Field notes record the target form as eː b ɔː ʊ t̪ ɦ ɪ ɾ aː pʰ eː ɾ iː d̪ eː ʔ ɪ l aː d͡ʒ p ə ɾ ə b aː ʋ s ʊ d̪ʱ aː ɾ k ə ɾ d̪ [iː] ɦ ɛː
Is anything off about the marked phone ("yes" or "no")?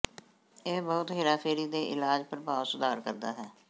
yes